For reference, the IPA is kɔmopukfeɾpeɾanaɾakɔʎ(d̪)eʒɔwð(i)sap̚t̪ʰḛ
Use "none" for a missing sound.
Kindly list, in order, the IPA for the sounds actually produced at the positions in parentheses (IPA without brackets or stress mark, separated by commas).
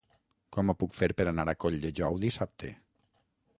d̪, i